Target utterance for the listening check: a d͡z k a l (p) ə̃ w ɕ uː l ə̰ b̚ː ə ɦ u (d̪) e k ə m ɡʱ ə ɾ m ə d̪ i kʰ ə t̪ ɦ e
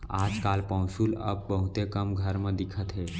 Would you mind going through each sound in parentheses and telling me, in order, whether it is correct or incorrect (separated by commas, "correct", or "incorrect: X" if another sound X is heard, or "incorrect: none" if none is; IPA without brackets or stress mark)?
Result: correct, incorrect: t̪